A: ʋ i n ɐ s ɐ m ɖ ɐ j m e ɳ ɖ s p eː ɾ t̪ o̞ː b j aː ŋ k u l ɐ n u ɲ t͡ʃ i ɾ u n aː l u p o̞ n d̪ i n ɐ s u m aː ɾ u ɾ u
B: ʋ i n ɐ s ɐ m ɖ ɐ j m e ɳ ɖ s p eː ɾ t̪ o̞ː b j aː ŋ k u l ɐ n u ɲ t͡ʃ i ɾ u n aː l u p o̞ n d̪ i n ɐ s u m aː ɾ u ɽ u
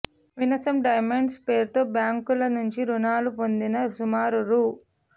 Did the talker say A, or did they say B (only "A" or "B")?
A